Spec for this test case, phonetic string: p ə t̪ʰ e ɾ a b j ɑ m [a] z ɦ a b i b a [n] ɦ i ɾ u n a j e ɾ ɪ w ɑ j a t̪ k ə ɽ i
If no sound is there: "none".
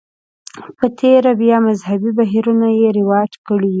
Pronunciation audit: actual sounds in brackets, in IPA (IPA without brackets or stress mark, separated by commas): a, none